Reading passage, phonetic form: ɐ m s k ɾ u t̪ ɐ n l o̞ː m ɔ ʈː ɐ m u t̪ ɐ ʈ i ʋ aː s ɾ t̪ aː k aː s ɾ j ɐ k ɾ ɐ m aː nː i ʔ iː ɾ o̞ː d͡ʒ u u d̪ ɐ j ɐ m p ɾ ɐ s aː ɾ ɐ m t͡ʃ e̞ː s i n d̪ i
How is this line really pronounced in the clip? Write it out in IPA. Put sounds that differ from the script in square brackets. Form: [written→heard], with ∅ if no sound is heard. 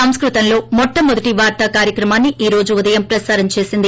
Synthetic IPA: ɐ m s k ɾ u t̪ ɐ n l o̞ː m ɔ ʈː ɐ m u [t̪→d̪] ɐ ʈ i ʋ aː [s→∅] ɾ t̪ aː k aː [s→∅] ɾ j ɐ k ɾ ɐ m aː nː i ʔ iː ɾ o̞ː d͡ʒ u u d̪ ɐ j ɐ m p ɾ ɐ s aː ɾ ɐ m t͡ʃ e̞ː s i n d̪ i